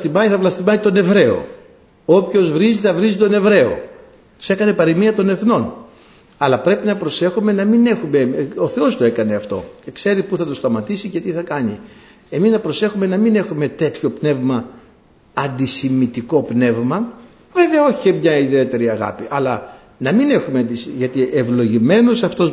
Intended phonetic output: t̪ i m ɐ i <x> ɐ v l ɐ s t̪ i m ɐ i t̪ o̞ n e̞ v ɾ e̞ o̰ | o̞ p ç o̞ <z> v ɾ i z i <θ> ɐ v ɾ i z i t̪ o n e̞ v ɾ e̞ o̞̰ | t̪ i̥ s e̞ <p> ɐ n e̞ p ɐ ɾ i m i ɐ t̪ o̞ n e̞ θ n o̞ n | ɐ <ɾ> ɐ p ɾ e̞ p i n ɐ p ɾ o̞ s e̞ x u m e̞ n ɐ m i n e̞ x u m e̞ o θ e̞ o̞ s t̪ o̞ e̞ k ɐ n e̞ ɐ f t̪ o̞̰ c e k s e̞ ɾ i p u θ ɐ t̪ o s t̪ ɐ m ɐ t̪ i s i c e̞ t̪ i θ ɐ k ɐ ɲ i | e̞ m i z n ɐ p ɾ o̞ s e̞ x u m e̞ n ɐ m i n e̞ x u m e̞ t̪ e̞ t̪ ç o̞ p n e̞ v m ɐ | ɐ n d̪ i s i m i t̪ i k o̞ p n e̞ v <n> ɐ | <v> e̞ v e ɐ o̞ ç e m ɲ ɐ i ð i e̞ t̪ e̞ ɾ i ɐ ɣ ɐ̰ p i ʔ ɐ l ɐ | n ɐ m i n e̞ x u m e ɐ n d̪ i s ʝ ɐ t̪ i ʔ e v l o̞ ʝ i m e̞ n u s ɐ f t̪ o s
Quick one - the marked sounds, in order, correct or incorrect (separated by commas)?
incorrect, correct, correct, incorrect, incorrect, incorrect, correct